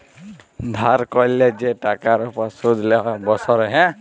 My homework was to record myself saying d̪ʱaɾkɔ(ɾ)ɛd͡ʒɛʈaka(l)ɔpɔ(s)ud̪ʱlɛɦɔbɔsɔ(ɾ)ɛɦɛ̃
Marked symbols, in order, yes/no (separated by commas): no, no, yes, yes